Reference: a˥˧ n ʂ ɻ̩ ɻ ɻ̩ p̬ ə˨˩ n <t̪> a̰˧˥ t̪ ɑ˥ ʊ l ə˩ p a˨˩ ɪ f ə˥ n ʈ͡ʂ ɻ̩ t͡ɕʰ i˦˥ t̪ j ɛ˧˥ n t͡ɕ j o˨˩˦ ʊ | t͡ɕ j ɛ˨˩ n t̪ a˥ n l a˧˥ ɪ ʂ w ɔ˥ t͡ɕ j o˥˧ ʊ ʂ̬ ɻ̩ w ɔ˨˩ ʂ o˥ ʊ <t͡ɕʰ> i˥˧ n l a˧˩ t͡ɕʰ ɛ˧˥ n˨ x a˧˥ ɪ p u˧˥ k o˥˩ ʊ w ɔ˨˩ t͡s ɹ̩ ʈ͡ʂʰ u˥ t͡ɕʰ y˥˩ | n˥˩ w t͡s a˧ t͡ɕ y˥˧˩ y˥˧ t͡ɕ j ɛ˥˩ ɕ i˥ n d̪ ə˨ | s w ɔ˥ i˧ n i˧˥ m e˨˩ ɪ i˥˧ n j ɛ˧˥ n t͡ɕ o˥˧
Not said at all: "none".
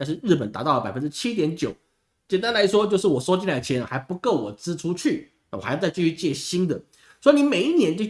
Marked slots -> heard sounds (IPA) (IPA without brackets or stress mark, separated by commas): t̪, t͡ɕ